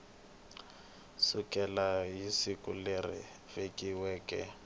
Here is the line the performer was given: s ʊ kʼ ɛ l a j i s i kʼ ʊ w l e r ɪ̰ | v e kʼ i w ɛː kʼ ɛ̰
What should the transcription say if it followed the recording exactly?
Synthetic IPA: s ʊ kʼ ɛ l a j i s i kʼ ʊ l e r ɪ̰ | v e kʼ i w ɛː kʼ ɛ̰